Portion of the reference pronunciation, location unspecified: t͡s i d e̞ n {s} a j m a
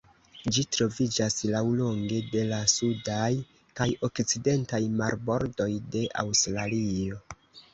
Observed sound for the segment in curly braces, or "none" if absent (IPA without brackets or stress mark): t